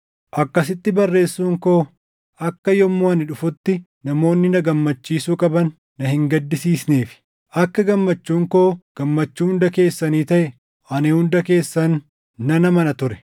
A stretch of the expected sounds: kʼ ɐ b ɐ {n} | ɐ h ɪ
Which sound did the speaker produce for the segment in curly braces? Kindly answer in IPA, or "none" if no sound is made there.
nː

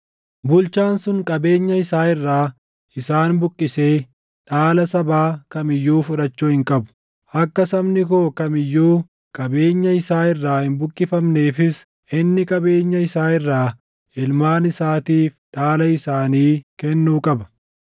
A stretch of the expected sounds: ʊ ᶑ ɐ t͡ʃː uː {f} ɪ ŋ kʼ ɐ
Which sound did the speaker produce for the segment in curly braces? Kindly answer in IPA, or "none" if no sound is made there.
h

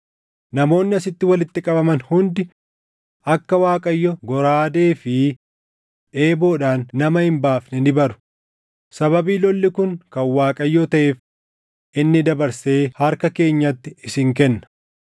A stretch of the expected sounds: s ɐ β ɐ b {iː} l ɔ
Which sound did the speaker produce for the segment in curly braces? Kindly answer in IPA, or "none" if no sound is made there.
iː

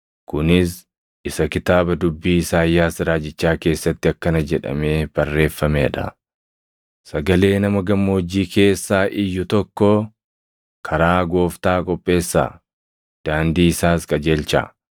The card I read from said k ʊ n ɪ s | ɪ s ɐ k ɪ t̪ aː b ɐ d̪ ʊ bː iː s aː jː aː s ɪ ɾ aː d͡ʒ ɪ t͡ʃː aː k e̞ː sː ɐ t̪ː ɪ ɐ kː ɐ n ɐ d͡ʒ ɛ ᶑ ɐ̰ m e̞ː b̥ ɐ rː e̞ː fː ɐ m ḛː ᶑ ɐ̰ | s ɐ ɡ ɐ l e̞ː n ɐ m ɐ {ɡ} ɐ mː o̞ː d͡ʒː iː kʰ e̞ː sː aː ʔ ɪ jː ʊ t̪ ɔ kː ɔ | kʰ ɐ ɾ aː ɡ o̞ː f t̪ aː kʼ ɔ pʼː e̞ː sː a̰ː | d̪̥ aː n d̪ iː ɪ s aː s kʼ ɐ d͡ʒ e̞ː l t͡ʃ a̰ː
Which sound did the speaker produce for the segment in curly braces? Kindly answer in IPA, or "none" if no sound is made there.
ɡ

